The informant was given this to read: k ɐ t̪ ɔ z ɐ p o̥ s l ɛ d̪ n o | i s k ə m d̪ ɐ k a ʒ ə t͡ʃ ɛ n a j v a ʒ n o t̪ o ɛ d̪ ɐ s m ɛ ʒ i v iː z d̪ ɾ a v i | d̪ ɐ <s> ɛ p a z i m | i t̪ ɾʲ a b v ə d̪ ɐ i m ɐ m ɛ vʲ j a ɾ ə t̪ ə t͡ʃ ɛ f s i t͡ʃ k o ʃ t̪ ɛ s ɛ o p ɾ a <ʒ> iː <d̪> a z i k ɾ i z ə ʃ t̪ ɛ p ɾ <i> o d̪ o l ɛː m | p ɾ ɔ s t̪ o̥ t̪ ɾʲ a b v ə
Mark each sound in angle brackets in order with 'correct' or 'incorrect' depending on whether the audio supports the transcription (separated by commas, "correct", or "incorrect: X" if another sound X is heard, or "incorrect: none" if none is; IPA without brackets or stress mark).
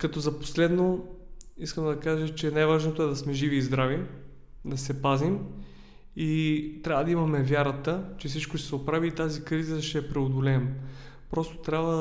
correct, incorrect: v, incorrect: t̪, incorrect: ɛ